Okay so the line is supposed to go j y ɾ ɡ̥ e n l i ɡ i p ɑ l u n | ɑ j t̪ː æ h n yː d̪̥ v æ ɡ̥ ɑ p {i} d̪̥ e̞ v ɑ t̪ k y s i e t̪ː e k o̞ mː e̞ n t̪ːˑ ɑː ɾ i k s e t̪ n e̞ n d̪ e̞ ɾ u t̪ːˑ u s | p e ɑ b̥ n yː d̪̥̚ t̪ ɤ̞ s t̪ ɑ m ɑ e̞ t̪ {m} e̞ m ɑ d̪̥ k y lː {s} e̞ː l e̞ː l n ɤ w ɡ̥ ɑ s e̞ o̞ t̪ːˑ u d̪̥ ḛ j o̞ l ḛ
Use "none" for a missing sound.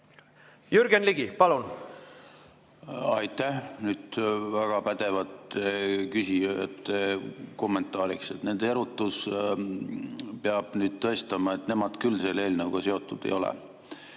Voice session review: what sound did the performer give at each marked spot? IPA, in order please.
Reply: æ, n, s

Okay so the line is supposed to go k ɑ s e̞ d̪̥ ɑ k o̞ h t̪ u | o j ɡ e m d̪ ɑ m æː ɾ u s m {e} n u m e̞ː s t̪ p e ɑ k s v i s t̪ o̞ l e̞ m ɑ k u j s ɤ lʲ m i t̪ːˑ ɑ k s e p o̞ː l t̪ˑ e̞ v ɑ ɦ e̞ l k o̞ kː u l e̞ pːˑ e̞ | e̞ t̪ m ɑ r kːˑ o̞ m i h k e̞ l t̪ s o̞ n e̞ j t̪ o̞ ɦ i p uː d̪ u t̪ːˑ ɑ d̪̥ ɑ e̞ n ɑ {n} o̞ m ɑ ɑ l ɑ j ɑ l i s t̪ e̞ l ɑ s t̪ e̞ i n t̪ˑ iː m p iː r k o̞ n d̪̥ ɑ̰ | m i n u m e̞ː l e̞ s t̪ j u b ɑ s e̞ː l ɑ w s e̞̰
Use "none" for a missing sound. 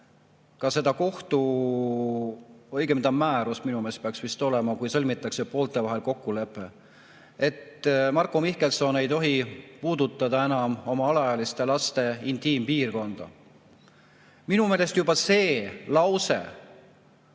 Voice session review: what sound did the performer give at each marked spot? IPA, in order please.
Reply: i, m

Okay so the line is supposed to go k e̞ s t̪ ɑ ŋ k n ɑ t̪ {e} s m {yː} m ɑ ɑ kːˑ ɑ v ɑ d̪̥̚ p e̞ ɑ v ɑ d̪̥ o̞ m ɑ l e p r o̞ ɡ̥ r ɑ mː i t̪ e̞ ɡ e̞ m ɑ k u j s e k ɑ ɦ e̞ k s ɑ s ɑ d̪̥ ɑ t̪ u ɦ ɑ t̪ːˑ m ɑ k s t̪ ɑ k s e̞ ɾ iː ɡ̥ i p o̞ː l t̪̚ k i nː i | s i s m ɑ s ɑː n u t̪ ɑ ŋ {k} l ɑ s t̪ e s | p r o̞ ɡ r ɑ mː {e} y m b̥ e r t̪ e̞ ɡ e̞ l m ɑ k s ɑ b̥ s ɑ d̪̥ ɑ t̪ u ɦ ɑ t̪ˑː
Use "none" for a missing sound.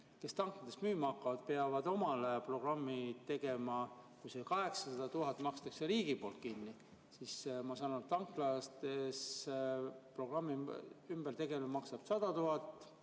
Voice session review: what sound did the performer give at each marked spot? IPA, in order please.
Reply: e, yː, k, i

